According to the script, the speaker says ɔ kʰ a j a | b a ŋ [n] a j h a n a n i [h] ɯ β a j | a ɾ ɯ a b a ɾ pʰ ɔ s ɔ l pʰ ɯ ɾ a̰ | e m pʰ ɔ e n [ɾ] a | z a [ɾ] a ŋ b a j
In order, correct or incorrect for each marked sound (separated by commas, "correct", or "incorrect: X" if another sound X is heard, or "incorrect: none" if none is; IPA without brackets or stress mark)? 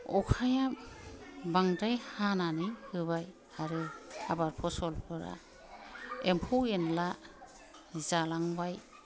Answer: incorrect: d, correct, incorrect: l, incorrect: l